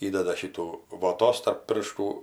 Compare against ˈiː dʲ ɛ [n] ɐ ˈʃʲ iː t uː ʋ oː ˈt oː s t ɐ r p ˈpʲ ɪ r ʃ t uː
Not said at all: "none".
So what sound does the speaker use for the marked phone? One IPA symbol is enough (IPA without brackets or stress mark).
d